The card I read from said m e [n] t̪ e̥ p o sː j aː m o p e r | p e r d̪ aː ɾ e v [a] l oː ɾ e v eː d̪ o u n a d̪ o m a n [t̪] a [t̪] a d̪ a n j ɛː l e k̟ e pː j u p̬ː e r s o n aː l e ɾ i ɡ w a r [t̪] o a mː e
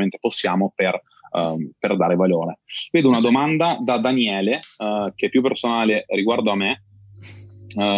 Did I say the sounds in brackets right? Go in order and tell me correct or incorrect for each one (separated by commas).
correct, correct, incorrect, incorrect, incorrect